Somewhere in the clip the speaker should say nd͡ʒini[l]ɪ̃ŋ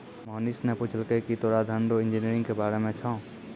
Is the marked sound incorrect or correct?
incorrect